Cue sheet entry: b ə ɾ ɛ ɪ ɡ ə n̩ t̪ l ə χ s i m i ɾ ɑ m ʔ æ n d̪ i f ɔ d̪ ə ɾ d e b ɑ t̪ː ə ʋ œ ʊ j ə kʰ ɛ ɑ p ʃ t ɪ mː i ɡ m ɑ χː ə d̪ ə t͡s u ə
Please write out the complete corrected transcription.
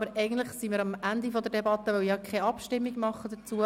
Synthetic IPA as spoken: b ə ɾ ɛ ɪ ɡ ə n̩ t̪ l ə χ s i m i ɾ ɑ m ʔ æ n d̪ i f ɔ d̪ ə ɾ d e b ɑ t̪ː ə ʋ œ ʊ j ɑ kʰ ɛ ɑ p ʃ t ɪ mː i ɡ m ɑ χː ə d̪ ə t͡s u ə